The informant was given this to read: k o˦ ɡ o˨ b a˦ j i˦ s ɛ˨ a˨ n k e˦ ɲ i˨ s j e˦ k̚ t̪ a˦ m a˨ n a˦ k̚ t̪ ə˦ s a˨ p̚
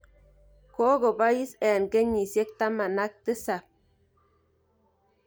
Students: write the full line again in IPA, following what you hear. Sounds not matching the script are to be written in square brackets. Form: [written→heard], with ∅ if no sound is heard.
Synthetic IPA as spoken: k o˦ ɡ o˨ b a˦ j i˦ s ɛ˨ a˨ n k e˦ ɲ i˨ s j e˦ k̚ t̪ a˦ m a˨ n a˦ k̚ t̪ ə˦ s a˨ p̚